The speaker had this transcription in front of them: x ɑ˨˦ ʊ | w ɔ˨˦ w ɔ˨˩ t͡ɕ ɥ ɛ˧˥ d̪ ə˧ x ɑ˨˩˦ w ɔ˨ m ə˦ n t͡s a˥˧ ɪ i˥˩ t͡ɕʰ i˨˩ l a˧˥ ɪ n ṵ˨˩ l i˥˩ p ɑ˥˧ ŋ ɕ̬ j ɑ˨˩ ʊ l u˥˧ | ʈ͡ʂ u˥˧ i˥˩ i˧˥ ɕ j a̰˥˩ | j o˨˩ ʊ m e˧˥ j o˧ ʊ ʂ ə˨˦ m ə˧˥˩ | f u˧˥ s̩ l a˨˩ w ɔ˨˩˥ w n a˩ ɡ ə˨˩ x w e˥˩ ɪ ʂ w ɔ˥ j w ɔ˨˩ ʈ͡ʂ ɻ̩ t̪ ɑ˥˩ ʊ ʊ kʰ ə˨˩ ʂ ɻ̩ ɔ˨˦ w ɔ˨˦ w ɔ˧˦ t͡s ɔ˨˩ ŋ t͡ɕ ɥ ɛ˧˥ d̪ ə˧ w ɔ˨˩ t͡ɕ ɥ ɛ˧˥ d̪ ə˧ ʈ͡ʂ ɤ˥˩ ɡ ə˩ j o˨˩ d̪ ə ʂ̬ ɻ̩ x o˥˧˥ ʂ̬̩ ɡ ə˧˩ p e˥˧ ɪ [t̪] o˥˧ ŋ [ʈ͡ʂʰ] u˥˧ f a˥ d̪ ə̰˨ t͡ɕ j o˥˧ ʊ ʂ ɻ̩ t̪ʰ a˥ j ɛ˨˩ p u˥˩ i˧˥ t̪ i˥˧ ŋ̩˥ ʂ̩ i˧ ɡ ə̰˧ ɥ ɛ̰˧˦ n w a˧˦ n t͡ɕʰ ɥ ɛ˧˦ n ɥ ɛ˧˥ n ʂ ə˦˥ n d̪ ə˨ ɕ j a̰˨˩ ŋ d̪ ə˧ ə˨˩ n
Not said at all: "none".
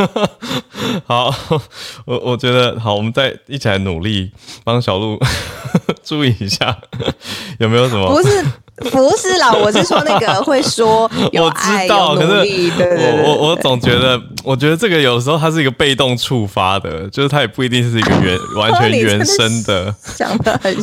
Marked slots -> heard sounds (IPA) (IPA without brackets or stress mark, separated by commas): t̪, ʈ͡ʂʰ